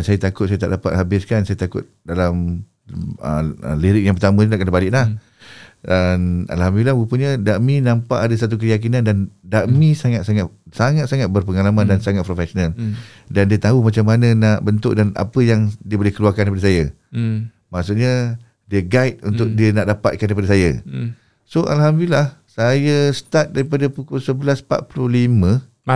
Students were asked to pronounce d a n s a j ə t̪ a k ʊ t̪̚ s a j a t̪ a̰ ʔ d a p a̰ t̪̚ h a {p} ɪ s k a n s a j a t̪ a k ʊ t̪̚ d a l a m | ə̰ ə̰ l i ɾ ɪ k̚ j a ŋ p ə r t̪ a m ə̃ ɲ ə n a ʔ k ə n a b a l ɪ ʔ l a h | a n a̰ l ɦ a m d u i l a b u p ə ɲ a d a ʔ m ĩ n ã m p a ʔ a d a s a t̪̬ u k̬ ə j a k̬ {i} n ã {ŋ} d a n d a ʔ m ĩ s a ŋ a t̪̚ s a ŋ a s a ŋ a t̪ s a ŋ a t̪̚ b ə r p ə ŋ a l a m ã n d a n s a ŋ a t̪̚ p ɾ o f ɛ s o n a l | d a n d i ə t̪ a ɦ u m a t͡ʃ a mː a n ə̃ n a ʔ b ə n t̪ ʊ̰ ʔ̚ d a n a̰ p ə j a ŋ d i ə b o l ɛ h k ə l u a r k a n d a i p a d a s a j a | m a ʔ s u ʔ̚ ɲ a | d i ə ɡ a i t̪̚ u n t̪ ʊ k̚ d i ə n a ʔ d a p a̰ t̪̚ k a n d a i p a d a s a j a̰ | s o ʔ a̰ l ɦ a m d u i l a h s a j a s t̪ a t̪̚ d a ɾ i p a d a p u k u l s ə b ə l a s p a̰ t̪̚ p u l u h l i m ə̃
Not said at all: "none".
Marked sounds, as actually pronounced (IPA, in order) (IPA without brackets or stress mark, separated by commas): b, i, n